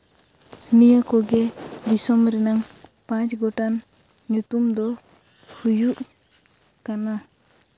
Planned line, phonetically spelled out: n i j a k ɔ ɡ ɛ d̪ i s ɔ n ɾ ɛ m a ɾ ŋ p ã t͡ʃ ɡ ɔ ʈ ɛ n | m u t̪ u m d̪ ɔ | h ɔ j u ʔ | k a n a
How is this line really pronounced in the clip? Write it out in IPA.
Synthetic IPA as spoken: n i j a k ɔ ɡ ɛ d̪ i s ɔ m ɾ ɛ n a ŋ p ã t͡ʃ ɡ ɔ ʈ a n | ɲ u t̪ u m d̪ ɔ | h u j u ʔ | k a n a